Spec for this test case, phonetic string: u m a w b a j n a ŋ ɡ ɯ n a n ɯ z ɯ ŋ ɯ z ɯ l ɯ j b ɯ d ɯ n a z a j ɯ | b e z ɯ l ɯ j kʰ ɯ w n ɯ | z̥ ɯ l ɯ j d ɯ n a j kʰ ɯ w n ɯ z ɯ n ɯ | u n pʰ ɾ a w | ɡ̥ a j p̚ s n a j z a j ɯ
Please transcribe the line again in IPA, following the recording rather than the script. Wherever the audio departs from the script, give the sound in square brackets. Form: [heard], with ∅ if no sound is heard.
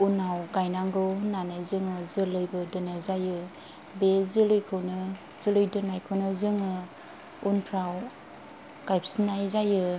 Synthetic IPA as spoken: u [n] a w [ɡ] a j n a ŋ ɡ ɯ n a n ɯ z ɯ ŋ ɯ z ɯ l ɯ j b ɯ d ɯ n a z a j ɯ | b e z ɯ l ɯ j kʰ ɯ w n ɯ | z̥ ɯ l ɯ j d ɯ n a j kʰ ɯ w n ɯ z ɯ [ŋ] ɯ | u n pʰ ɾ a w | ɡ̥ a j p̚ s n a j z a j ɯ

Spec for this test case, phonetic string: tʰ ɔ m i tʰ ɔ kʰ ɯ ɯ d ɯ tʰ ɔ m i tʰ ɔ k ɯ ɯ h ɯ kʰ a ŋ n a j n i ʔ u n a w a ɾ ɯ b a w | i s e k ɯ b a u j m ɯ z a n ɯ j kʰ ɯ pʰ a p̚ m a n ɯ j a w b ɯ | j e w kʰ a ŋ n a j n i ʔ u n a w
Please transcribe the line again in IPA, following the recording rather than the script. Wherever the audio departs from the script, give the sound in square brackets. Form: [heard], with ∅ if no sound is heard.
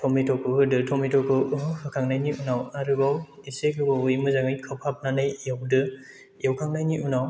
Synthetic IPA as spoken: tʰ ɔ m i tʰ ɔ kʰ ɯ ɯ d ɯ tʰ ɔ m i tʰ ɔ k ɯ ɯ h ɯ kʰ a ŋ n a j n i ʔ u n a w a ɾ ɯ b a w | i s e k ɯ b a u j m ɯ z a [ŋ] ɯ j kʰ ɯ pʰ a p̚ [n] a n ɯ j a w [d] ɯ | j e w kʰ a ŋ n a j n i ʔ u n a w

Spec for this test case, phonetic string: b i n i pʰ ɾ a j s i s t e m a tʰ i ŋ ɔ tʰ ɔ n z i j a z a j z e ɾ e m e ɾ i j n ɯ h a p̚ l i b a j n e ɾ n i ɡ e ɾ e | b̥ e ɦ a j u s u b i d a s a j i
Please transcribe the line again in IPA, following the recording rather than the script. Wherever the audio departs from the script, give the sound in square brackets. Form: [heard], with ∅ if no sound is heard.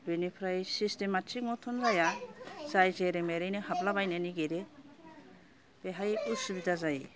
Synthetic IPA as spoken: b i n i pʰ ɾ a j s i s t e m a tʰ i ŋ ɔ tʰ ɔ n z [a] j a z a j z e ɾ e m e ɾ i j n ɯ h a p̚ l [a] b a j n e [∅] n i ɡ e ɾ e | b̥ e ɦ a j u s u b i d a [z] a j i

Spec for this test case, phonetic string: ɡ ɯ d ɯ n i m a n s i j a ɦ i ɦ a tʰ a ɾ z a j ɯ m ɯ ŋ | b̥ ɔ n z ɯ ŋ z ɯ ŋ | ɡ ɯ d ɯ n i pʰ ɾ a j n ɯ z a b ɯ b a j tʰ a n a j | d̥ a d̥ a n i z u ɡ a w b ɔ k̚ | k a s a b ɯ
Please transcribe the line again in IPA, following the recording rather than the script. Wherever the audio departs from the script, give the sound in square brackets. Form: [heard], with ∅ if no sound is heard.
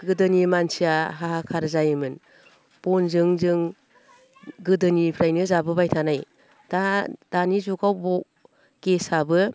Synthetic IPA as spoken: ɡ ɯ d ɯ n i m a n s i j a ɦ [a] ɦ a [kʰ] a ɾ z a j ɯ m ɯ [n] | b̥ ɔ n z ɯ ŋ z ɯ ŋ | ɡ ɯ d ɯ n i pʰ ɾ a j n ɯ z a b ɯ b a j tʰ a n a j | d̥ a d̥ a n i z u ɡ a w b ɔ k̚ | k [e] s a b ɯ

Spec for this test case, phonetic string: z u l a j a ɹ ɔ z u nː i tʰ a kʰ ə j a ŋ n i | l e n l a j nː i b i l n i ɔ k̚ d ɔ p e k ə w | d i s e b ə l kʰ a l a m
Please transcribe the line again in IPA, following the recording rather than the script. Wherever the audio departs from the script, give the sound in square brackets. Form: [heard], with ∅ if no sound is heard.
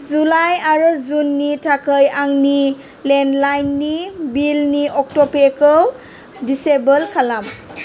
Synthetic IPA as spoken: z u l a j a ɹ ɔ z u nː i tʰ a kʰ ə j a ŋ n i | l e n l a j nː i b i l n i ɔ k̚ [t] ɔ p e k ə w | d i s e b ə l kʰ a l a m

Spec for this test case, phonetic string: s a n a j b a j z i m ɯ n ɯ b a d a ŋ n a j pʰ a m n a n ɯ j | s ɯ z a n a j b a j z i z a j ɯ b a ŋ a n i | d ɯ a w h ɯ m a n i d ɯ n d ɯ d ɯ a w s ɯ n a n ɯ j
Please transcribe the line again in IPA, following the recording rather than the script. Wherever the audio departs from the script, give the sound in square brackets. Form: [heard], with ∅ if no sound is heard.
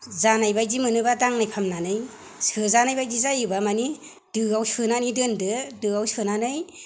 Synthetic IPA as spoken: [z] a n a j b a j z i m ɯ n ɯ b a d a ŋ n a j pʰ a m n a n ɯ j | s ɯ z a n a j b a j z i z a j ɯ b a [m] a n i | d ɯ a w [s] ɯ [n] a n i d ɯ n d ɯ d ɯ a w s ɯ n a n ɯ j

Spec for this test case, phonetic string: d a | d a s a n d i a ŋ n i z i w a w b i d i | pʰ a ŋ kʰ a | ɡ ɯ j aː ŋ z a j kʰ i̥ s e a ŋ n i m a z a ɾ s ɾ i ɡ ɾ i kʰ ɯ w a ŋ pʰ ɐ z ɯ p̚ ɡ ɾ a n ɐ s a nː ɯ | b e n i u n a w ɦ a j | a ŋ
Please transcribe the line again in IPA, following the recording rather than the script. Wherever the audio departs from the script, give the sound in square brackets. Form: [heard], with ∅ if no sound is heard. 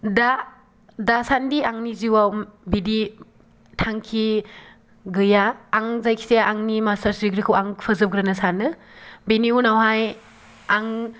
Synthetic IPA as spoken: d a | d a s a n d i a ŋ n i z i w a w b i d i | [tʰ] a ŋ kʰ [i] | ɡ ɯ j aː ŋ z a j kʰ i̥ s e a ŋ n i m a [s] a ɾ s ɾ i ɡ ɾ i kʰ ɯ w a ŋ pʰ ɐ z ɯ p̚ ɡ ɾ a n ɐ s a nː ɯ | b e n i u n a w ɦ a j | a ŋ

